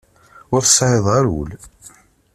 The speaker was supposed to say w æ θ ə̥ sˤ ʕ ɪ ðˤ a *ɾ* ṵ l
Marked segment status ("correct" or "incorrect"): correct